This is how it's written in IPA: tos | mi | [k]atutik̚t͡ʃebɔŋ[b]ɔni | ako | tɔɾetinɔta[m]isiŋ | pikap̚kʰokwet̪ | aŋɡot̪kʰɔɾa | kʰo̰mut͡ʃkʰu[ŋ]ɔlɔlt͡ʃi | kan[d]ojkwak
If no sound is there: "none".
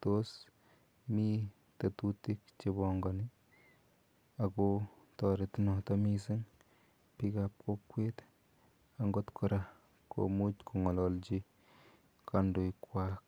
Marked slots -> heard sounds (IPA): t, ɡ, m, ŋ, d

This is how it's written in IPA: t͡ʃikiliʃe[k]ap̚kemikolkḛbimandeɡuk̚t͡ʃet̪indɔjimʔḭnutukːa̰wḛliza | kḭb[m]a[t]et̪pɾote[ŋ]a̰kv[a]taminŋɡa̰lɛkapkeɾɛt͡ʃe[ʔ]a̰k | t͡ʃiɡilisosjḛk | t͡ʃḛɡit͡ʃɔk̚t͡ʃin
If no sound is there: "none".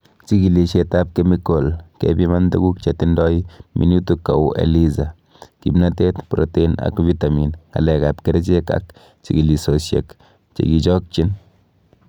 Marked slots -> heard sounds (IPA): t, n, t, n, i, k

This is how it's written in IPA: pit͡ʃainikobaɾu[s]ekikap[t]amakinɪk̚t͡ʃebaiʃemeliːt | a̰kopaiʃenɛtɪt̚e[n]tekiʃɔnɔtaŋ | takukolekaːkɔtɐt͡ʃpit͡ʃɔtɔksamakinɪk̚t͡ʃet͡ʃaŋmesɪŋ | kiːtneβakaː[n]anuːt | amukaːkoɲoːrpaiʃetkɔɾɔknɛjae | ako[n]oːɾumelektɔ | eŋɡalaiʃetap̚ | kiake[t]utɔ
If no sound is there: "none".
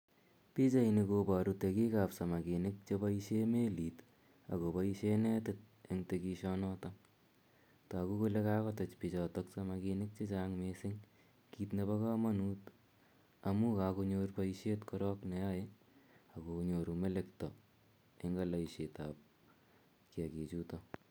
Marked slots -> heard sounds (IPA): t, s, ŋ, m, ɲ, t͡ʃ

